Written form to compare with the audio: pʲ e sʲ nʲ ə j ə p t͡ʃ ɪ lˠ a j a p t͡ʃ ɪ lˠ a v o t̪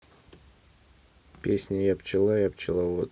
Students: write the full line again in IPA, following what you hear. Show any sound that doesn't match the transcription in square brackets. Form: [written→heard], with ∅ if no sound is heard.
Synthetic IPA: pʲ e sʲ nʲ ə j [ə→a] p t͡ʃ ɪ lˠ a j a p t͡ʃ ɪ lˠ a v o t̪